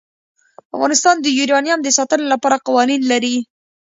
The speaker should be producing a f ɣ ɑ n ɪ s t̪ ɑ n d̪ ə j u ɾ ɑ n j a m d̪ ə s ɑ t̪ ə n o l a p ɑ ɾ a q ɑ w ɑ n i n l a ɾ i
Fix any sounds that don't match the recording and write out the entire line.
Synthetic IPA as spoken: a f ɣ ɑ n ɪ s t̪ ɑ n d̪ ə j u ɾ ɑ n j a m d̪ ə s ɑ t̪ ə n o l a p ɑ ɾ a q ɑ w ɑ n i n l a ɾ i